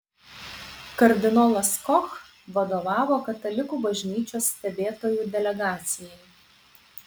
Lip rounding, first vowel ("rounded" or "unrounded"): unrounded